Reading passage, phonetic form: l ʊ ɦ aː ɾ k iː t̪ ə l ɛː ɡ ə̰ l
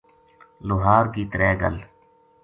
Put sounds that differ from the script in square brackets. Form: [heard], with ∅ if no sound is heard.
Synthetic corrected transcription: l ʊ ɦ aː ɾ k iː t̪ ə [ɾ] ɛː ɡ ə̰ l